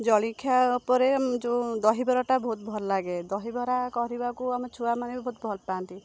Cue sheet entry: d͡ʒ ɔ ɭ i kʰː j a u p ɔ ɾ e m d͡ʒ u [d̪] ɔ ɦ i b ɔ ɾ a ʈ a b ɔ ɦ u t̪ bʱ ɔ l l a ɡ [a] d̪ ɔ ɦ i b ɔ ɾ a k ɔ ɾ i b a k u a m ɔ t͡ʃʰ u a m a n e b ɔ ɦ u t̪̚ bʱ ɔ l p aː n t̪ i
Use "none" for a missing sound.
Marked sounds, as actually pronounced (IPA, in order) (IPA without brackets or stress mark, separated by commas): d̪, e